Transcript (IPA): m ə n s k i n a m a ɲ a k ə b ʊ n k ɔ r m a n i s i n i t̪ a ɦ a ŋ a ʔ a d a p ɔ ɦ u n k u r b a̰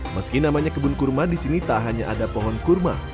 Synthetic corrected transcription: m ə s k i n a m a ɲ a k ə b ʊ n k u r m a d i s i n i t̪ a ɦ a ɲ a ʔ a d a p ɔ ɦ ɔ n k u r m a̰